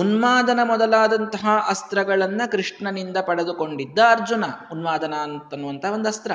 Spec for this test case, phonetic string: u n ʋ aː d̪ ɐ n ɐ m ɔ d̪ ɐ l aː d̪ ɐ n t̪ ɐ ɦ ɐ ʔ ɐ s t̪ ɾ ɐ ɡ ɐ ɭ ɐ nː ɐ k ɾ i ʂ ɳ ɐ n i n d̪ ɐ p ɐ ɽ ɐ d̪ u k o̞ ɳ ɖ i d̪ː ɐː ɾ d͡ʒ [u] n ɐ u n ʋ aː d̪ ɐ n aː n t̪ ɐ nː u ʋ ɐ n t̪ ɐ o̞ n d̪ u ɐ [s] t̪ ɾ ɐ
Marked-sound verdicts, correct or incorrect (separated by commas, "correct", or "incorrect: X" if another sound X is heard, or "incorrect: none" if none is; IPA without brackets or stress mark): correct, correct